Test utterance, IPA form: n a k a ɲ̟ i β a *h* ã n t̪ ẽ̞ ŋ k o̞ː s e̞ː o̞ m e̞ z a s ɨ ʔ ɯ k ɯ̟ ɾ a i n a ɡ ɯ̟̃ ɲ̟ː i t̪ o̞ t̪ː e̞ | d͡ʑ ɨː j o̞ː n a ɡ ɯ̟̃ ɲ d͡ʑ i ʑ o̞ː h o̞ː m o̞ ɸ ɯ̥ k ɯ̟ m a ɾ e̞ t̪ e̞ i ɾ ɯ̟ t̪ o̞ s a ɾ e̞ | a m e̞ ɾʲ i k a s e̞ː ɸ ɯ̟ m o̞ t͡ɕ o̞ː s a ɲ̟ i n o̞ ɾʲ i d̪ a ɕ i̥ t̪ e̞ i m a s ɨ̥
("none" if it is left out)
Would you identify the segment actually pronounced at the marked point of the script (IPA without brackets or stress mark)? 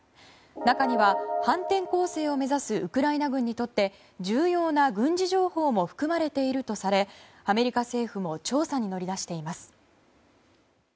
h